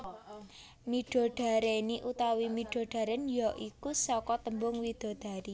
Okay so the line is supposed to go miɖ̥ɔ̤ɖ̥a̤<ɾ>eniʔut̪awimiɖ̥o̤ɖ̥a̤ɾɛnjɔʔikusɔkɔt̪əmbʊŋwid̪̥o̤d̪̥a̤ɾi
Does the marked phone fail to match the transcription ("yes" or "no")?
no